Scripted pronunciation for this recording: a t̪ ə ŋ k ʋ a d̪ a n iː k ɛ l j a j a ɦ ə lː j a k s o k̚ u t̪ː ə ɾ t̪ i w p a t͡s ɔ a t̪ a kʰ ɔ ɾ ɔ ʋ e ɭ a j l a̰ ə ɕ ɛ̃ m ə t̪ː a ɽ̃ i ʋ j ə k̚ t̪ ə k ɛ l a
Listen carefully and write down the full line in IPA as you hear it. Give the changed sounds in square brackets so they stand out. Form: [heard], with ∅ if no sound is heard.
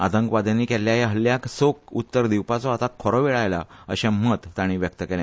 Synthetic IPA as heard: a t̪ ə ŋ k ʋ a d̪ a n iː k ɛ l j a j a ɦ ə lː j a k s o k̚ u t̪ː ə ɾ [d̪] i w p a t͡s ɔ a t̪ a kʰ ɔ ɾ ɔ ʋ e ɭ a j l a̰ ə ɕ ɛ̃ m ə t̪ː a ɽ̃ i ʋ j ə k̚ t̪ ə k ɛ l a